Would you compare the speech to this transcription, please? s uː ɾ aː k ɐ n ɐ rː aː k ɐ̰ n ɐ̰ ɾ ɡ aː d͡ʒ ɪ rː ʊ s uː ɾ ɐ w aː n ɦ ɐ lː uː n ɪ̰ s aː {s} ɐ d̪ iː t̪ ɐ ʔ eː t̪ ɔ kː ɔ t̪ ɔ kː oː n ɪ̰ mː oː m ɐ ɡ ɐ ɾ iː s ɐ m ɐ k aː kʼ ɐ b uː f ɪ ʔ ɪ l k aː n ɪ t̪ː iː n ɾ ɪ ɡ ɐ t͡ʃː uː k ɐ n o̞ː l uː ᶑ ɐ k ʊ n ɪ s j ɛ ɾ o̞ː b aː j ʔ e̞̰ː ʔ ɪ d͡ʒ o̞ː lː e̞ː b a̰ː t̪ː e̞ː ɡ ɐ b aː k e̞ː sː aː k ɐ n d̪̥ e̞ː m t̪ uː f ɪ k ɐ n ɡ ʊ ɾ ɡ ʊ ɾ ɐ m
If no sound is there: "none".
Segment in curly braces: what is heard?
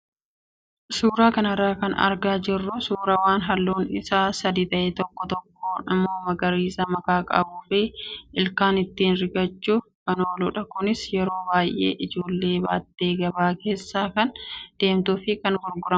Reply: s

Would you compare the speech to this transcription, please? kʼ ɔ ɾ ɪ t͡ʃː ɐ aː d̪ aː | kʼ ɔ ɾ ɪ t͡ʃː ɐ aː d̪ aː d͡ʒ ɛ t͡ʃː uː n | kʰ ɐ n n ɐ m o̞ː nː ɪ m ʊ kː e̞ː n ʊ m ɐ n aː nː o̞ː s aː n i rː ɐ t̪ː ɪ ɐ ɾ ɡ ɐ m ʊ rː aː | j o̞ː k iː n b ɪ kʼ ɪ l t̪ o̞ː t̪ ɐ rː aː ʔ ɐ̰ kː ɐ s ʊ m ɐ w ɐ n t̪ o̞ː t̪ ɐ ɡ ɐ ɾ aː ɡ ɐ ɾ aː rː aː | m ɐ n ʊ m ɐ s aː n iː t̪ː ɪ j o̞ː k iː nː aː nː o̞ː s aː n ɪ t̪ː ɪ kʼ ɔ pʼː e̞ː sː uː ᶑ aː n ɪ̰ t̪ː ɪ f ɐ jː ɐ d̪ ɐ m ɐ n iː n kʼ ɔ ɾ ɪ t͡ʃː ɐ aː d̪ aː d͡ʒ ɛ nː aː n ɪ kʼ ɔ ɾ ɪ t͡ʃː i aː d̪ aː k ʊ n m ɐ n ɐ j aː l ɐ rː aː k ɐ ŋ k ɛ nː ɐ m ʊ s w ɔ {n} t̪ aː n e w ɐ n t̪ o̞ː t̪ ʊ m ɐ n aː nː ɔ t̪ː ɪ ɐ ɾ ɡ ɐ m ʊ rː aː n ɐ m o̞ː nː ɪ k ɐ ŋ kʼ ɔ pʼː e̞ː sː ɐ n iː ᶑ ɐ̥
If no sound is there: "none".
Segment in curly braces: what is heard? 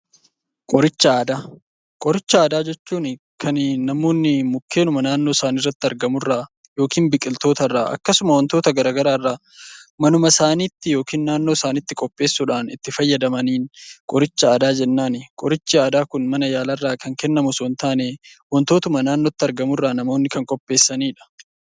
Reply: n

